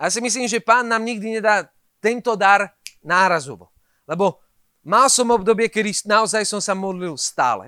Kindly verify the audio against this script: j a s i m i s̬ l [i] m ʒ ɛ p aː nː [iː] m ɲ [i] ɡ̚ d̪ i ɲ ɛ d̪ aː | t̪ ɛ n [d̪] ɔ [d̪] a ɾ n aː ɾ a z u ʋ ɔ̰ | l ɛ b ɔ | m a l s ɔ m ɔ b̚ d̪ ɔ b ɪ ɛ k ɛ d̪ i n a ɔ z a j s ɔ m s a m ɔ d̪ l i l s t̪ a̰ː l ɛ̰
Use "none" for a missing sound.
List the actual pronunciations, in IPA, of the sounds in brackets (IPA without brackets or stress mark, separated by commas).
iː, aː, i, t̪, d̪